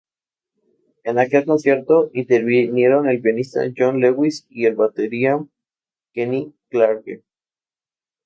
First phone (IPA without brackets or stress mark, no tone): e̞